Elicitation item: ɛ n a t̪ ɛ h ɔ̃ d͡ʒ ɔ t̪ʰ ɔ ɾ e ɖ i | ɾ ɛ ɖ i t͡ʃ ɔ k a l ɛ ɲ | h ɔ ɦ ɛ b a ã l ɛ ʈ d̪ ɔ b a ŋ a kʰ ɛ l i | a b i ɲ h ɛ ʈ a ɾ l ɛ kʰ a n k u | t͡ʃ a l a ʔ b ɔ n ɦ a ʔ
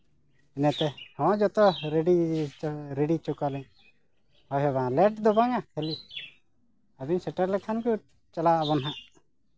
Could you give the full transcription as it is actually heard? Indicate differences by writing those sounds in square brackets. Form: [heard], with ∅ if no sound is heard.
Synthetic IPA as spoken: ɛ n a t̪ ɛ h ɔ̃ d͡ʒ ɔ [t̪] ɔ ɾ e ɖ i | ɾ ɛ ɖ i t͡ʃ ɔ k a l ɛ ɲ | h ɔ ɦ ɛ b a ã l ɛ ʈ d̪ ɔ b a ŋ a kʰ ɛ l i | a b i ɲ [s] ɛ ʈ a ɾ l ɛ kʰ a n k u | t͡ʃ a l a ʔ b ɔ n ɦ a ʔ